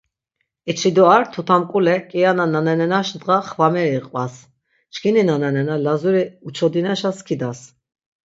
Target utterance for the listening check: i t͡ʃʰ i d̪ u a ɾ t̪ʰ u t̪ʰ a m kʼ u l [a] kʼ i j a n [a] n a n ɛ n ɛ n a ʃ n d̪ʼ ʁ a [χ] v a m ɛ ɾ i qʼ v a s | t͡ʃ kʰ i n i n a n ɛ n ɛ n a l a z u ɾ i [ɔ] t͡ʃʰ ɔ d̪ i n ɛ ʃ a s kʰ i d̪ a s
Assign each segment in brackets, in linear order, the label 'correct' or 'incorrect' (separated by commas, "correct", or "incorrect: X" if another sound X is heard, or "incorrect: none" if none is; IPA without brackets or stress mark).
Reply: incorrect: ɛ, correct, correct, incorrect: u